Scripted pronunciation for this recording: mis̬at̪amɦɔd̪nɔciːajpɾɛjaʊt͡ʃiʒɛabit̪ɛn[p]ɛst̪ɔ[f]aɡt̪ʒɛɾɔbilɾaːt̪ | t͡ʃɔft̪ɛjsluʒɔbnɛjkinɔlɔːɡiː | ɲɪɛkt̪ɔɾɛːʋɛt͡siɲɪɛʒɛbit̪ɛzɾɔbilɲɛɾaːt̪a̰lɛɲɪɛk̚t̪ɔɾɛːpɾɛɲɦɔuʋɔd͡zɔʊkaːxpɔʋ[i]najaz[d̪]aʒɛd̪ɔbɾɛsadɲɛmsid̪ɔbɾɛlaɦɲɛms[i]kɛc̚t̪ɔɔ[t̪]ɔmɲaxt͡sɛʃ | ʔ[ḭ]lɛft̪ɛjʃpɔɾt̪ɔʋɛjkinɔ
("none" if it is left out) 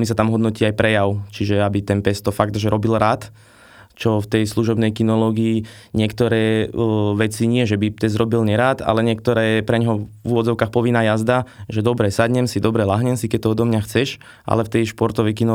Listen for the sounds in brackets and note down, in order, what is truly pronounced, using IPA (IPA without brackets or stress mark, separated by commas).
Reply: p, f, i, d̪, i, d̪, a̰